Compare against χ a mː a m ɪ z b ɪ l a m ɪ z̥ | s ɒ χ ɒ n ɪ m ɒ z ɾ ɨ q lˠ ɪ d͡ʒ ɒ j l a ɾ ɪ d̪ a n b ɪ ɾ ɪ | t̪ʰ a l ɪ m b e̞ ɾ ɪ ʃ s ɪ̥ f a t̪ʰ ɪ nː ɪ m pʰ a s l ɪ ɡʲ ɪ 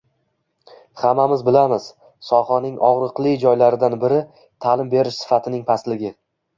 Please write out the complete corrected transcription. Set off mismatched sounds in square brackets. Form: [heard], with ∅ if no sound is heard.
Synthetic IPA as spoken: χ a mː a m ɪ z b ɪ l a m ɪ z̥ | s ɒ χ ɒ n ɪ [ŋ] ɒ [ʁ] ɾ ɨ q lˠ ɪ d͡ʒ ɒ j l a ɾ ɪ d̪ a n b ɪ ɾ ɪ | t̪ʰ a l ɪ m b e̞ ɾ ɪ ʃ s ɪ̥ f a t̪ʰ ɪ [n] ɪ [ŋ] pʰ a s l ɪ ɡʲ ɪ